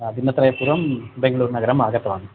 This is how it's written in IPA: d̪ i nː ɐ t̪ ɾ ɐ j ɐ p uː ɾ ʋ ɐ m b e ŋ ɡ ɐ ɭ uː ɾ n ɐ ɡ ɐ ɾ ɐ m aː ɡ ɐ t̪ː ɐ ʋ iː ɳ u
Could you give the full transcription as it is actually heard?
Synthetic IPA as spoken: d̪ i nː ɐ t̪ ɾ ɐ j ɐ p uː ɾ ʋ ɐ m b e ŋ ɡ ɐ ɭ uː ɾ n ɐ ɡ ɐ ɾ ɐ m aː ɡ ɐ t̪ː ɐ ʋ aː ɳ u